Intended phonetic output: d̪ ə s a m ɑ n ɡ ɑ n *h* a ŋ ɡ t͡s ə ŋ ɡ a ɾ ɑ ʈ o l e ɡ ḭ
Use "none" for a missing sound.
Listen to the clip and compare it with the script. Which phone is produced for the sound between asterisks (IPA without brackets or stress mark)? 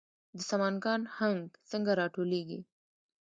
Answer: h